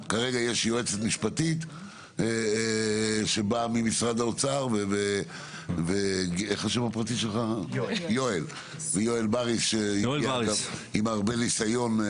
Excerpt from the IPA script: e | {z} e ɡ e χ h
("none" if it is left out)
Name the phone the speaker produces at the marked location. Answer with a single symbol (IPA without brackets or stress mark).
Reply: v